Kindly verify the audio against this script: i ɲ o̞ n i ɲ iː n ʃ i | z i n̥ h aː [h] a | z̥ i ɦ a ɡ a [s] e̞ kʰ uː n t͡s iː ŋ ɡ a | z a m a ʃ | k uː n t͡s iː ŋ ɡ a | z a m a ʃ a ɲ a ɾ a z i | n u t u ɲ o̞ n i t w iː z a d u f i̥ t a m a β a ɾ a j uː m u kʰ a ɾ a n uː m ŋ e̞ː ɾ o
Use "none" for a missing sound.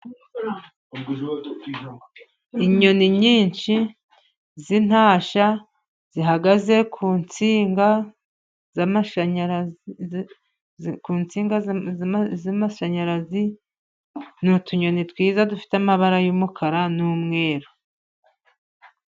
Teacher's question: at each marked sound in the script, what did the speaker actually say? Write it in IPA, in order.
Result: ʃ, z

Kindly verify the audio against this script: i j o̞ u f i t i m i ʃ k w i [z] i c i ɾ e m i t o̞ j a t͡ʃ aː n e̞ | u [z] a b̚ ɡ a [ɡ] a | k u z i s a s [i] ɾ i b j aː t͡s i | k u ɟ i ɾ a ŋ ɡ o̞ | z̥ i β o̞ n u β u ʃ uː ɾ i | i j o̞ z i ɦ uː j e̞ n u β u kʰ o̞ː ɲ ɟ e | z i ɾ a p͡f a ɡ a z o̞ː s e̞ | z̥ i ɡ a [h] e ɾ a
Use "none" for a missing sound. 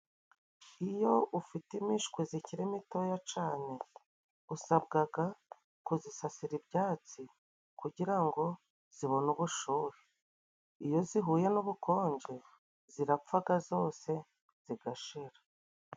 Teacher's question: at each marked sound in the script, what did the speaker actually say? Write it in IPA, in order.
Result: z, s, ɡ, i, ʃ

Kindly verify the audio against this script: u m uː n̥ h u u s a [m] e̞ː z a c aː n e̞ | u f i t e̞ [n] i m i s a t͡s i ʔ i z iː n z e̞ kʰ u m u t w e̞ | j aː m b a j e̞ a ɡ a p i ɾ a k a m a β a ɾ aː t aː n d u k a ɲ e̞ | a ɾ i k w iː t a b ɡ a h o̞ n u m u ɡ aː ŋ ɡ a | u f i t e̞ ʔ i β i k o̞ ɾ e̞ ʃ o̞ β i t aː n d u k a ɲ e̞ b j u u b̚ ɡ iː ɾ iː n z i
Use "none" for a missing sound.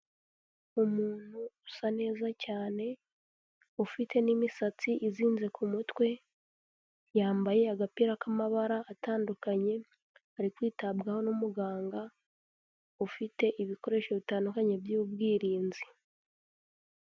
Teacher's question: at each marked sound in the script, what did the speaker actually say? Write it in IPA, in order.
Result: n, n

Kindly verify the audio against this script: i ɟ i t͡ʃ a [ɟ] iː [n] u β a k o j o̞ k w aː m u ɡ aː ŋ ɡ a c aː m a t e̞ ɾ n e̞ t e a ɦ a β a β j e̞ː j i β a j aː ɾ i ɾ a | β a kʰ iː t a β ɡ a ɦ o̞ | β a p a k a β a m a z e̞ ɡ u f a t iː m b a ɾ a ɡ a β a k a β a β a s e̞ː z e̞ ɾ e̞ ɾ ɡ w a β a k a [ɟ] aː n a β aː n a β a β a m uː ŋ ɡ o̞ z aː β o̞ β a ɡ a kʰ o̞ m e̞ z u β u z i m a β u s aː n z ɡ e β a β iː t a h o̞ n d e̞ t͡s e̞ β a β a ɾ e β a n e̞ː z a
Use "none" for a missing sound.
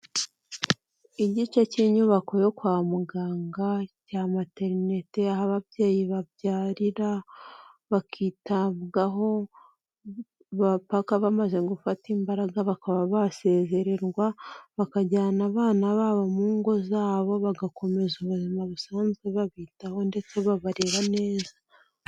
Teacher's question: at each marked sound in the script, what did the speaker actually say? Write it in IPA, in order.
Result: c, ɲ, ɟ

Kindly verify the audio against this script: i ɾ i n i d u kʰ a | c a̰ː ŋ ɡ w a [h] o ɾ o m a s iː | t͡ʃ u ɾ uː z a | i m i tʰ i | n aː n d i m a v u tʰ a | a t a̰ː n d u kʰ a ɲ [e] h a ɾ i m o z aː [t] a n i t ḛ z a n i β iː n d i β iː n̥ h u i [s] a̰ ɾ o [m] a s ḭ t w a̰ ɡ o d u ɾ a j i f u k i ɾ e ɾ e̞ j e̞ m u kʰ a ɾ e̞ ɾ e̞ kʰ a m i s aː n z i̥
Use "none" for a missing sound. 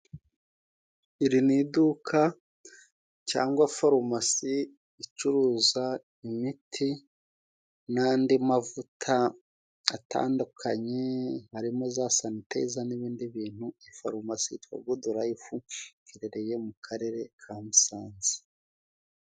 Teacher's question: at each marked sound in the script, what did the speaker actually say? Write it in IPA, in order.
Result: f, e, s, f, m

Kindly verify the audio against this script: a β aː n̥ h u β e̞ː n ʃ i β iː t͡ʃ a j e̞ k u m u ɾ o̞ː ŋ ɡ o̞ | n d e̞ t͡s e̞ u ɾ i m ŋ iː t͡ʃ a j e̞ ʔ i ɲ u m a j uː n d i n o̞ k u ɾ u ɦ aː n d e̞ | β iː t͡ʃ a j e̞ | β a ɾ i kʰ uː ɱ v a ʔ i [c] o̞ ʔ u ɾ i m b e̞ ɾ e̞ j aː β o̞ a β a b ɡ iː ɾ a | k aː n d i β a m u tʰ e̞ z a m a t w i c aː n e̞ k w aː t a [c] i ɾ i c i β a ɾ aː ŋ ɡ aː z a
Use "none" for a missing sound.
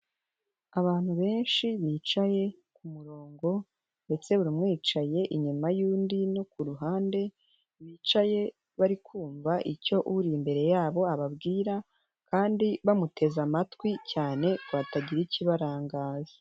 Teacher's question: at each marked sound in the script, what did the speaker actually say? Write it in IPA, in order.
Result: c, ɟ

